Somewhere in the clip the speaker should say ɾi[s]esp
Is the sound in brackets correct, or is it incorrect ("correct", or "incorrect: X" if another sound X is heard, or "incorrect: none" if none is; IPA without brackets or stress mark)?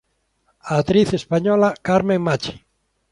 incorrect: θ